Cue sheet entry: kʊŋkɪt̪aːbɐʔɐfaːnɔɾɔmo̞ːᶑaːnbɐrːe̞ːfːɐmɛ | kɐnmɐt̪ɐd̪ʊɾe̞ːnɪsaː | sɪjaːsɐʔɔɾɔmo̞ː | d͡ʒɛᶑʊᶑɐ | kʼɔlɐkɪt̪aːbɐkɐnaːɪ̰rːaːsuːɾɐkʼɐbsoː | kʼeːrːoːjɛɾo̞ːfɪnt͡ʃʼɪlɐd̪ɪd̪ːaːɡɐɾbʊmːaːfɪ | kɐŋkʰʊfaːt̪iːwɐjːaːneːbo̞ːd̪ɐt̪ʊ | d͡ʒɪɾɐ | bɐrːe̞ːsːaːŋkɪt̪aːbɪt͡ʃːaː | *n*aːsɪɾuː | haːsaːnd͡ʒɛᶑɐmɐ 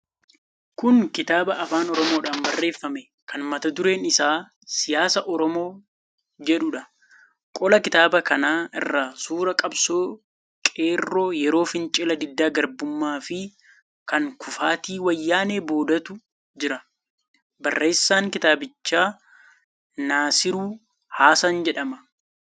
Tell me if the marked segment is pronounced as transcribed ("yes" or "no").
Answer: yes